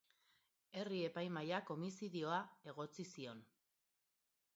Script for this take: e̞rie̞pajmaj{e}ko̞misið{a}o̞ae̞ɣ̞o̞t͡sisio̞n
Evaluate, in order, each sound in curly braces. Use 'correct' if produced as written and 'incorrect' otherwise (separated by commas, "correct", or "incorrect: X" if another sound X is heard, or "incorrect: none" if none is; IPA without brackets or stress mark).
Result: incorrect: a, incorrect: i